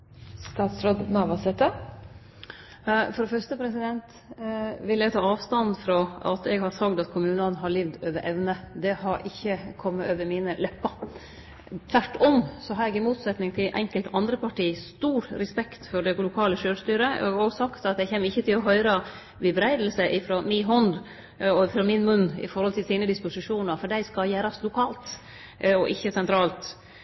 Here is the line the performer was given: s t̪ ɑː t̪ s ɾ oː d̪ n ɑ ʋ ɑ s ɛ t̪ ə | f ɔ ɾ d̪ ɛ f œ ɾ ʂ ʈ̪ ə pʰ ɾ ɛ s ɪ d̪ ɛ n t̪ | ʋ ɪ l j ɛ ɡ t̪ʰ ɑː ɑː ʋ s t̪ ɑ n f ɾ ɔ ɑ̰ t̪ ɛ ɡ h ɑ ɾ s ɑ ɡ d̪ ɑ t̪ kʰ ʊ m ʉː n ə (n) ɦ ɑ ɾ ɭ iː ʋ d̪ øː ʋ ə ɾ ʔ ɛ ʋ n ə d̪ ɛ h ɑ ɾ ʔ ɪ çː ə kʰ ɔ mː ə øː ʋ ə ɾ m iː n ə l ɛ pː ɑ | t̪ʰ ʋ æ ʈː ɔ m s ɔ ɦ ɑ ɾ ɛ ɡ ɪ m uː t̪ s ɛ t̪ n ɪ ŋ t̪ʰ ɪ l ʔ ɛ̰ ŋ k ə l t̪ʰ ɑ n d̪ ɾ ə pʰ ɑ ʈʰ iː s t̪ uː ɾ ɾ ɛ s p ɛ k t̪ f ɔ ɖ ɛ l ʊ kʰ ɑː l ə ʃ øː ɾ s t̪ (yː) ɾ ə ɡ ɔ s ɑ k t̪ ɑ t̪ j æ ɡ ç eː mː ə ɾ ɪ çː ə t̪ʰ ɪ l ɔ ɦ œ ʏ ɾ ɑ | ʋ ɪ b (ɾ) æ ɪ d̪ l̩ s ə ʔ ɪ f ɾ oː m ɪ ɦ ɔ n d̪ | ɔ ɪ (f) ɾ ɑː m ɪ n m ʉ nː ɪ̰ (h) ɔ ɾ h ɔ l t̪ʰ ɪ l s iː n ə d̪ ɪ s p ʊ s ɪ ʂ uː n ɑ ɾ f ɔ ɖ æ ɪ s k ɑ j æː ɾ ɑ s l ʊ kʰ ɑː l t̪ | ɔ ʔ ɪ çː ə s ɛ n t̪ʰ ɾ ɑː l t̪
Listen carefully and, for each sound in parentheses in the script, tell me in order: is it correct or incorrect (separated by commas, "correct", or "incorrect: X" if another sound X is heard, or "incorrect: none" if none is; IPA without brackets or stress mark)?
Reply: correct, correct, correct, correct, incorrect: f